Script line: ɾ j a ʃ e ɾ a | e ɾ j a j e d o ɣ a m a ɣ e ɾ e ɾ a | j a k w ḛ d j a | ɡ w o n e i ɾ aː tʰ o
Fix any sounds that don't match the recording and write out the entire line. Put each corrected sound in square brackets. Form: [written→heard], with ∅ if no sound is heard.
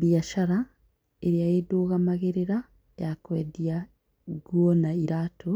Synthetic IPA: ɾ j a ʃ [e→a] ɾ a | e ɾ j a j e d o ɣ a m a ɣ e ɾ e ɾ a | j a k w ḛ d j a | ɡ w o n [e→a] i ɾ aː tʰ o